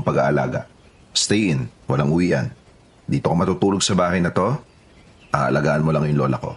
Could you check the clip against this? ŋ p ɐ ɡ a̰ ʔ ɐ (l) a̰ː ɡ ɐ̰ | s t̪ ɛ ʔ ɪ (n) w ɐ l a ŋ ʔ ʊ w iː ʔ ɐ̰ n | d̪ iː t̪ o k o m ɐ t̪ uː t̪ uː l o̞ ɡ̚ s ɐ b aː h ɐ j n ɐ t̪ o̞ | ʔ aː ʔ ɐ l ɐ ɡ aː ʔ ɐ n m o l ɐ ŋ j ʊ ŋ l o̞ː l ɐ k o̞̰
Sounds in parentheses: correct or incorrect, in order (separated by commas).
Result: correct, correct